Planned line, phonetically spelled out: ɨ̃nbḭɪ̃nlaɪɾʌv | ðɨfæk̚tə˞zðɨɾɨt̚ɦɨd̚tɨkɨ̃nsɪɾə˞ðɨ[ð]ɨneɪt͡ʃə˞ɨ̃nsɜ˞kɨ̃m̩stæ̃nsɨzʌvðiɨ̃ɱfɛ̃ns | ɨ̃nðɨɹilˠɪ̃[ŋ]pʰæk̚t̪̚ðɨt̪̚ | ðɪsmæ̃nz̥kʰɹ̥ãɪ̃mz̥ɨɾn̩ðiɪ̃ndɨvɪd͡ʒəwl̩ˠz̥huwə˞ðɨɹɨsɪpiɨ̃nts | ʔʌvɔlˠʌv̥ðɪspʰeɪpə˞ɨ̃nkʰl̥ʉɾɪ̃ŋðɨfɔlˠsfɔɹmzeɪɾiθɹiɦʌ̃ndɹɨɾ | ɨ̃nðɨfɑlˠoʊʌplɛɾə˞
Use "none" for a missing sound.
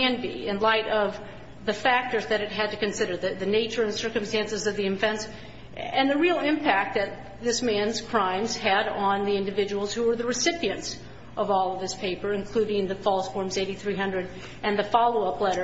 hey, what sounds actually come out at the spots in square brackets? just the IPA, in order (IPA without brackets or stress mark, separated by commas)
ð, m